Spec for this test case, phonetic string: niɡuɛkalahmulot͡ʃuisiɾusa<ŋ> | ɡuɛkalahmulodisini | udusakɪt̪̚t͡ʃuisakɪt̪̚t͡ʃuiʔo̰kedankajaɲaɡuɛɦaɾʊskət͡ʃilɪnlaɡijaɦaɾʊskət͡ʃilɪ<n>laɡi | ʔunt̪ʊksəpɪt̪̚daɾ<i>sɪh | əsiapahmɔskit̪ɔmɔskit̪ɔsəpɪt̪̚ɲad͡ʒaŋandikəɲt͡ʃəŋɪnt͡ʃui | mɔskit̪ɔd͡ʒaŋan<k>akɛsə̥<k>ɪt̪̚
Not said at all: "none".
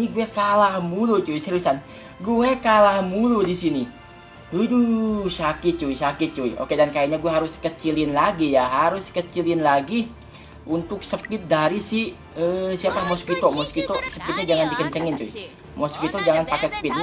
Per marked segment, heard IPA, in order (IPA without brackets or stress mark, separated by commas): n, n, i, p, p